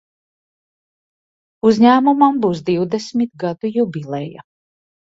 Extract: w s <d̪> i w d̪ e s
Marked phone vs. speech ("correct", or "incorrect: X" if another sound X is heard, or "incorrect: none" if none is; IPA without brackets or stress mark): correct